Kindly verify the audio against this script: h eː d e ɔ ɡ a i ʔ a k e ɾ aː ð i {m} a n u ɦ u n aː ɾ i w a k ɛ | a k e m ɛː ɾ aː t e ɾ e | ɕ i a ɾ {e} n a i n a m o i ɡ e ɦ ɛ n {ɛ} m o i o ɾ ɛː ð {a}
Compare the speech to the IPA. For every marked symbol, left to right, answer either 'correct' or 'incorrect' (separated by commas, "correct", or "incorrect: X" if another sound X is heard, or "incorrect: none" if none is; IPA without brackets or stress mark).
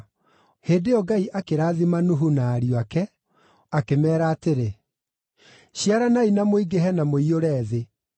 correct, incorrect: a, incorrect: a, incorrect: e